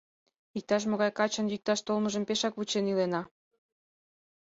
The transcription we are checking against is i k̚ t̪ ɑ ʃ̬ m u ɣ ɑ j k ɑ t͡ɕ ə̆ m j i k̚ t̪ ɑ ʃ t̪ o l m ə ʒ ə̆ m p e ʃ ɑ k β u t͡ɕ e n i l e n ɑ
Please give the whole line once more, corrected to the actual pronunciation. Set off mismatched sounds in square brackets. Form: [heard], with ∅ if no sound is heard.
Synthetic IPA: i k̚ t̪ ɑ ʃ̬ m [o] ɣ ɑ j k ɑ t͡ɕ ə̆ [n] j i k̚ t̪ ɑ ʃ t̪ o l m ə ʒ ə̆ m p e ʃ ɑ k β u t͡ɕ e n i l e n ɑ